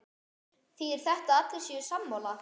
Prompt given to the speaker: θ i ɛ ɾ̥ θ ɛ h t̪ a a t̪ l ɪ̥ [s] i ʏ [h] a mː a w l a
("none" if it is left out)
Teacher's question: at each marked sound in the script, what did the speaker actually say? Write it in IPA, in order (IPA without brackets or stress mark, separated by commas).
s, s